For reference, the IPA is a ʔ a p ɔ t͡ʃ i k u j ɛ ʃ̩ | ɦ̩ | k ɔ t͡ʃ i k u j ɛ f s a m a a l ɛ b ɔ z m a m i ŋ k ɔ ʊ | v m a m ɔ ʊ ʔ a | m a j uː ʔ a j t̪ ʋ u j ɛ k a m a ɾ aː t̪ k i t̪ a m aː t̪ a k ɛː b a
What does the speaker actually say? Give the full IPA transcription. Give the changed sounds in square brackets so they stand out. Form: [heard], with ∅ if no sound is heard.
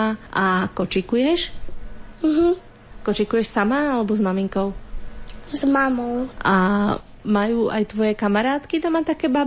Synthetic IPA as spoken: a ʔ a [k] ɔ t͡ʃ i k u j ɛ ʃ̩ | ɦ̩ | k ɔ t͡ʃ i k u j ɛ [ʃ] s a m a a l ɛ b ɔ z m a m i ŋ k ɔ ʊ | [z] m a m ɔ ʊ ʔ a | m a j uː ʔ a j t̪ ʋ [ɔ] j ɛ k a m a ɾ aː t̪ k i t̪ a m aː t̪ a k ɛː b a